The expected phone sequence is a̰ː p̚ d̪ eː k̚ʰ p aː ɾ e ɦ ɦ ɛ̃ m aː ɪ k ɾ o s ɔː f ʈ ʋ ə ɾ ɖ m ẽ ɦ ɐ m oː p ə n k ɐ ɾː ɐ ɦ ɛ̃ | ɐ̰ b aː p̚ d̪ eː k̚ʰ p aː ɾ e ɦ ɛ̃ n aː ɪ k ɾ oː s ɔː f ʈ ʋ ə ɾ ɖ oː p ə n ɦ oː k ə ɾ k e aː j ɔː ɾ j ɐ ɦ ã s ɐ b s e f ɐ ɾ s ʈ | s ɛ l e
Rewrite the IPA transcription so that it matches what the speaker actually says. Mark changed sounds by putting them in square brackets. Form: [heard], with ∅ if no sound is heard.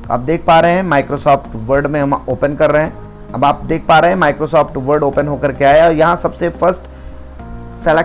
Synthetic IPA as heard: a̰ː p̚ d̪ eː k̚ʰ p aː ɾ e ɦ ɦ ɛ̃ m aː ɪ k ɾ o s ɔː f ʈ ʋ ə ɾ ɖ m ẽ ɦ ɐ m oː p ə n k ɐ ɾː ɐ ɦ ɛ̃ | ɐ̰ b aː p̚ d̪ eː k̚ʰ p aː ɾ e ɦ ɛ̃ [m] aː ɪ k ɾ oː s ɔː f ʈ ʋ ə ɾ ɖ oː p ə n ɦ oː k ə ɾ k e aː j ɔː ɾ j ɐ ɦ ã s ɐ b s e f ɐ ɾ s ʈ | s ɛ l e